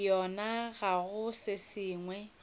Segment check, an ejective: absent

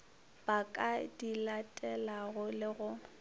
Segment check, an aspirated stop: absent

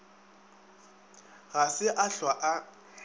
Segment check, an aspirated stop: absent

